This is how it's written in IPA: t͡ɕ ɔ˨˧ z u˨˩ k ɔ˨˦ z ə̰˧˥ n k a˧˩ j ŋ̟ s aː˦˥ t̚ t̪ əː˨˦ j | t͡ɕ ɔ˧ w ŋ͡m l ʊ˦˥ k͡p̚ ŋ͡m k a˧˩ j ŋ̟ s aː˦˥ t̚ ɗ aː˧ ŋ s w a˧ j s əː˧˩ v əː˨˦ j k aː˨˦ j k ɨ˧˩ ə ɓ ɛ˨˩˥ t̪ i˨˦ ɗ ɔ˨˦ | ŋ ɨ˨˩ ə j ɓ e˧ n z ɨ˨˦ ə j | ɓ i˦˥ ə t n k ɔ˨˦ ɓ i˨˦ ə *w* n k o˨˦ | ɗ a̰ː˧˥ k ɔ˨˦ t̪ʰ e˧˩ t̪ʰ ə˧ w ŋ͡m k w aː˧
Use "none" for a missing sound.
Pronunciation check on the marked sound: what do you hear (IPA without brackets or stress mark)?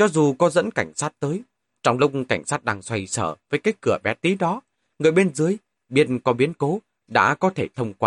none